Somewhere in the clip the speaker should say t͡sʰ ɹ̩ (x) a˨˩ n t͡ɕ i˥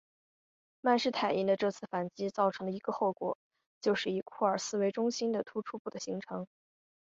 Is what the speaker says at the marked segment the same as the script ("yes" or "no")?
no